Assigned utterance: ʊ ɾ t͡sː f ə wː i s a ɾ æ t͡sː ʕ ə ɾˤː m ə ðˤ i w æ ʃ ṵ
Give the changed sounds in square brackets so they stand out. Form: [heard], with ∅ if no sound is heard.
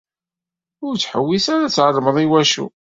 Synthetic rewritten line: ʊ ɾ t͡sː [ħ] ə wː i s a ɾ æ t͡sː ʕ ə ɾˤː m ə ðˤ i w æ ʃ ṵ